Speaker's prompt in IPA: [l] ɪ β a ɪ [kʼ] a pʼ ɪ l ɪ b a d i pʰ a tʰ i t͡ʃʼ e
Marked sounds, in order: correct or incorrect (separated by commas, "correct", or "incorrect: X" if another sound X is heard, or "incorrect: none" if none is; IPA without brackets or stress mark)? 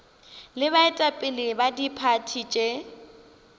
correct, incorrect: tʼ